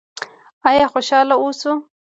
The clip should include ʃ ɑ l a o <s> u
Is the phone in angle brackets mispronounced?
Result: no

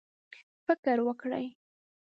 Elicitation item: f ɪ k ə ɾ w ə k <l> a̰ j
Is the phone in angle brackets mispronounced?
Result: yes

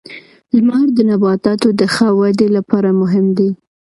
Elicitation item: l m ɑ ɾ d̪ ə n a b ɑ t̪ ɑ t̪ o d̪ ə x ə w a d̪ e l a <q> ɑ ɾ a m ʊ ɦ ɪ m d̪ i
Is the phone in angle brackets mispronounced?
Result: yes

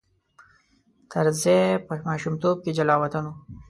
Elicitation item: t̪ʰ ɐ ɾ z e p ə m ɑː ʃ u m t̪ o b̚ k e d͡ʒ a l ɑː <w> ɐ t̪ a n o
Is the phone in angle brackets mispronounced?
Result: no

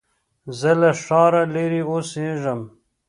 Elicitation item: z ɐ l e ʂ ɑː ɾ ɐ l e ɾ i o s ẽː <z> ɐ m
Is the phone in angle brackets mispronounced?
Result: yes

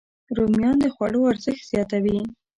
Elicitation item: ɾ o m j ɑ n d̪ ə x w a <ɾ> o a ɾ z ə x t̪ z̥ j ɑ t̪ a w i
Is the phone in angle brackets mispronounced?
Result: yes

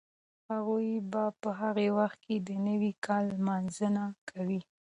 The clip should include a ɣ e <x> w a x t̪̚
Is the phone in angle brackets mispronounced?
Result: yes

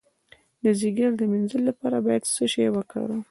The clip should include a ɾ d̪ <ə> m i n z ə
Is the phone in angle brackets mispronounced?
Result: no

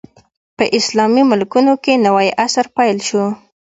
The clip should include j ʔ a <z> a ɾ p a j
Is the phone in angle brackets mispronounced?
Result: yes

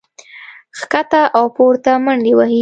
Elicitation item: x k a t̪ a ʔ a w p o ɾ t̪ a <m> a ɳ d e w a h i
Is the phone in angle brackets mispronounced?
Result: no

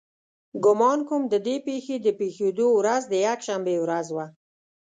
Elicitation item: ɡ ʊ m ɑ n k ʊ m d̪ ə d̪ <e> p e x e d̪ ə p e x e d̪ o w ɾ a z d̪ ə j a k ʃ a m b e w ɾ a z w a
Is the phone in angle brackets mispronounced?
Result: no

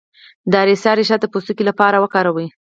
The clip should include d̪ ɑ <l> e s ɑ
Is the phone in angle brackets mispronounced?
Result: yes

